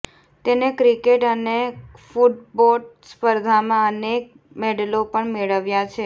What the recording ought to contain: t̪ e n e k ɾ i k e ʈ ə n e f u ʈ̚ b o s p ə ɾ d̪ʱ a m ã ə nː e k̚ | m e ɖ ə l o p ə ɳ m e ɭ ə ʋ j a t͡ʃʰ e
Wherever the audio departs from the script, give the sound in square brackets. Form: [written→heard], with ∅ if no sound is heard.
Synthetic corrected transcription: t̪ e n e k ɾ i k e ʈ ə n e f u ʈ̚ b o s p ə ɾ d̪ʱ a m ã ə [nː→n] e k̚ | m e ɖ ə l o p ə ɳ m e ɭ ə ʋ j a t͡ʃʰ e